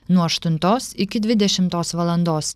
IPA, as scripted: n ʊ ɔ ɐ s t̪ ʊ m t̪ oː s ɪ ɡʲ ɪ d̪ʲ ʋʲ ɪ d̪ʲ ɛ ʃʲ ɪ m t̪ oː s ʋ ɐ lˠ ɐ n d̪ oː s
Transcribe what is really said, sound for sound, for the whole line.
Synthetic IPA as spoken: n u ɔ ɐ ʃ t̪ ʊ n t̪ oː s ɪ kʲ ɪ d̪ʲ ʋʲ ɪ d̪ʲ ɛ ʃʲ ɪ m t̪ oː s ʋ ɐ lˠ ɐ n d̪ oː s